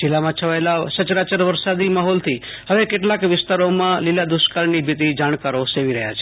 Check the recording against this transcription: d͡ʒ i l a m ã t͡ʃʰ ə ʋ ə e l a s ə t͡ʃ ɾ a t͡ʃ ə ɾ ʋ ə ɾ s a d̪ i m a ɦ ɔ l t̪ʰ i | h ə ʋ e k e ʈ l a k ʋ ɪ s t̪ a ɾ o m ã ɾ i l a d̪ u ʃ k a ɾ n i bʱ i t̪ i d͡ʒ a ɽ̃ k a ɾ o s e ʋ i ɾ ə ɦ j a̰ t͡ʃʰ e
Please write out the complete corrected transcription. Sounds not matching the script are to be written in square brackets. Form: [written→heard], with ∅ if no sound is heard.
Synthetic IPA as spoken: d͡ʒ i l a m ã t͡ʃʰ ə ʋ [ə→a] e l a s ə t͡ʃ ɾ a t͡ʃ ə ɾ ʋ ə ɾ s a d̪ i m a ɦ ɔ l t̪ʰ i | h ə ʋ e k e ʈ l a k ʋ ɪ s t̪ a ɾ o m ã [ɾ→l] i l a d̪ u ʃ k a ɾ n i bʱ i t̪ i d͡ʒ a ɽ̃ k a ɾ o s e ʋ i ɾ ə ɦ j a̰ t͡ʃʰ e

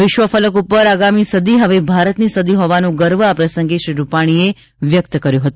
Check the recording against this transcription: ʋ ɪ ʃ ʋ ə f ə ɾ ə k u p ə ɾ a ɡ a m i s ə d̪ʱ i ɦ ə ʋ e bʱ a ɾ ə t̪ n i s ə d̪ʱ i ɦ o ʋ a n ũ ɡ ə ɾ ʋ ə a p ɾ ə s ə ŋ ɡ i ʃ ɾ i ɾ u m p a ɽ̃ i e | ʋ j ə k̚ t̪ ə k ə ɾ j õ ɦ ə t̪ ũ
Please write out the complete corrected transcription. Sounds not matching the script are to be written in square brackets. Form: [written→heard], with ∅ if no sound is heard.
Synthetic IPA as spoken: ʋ ɪ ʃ ʋ ə f ə [ɾ→l] ə k u p ə ɾ a ɡ a m i s ə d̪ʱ i ɦ ə ʋ e bʱ a ɾ ə t̪ n i s ə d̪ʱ i ɦ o ʋ a n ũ ɡ ə ɾ ʋ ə a p ɾ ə s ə ŋ ɡ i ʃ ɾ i ɾ u [m→∅] p a ɽ̃ i e | ʋ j ə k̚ t̪ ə k ə ɾ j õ ɦ ə t̪ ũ

